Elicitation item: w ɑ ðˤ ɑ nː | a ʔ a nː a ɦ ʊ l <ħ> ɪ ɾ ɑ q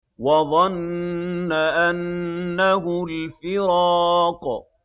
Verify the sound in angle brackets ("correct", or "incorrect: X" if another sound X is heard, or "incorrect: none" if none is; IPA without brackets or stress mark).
incorrect: f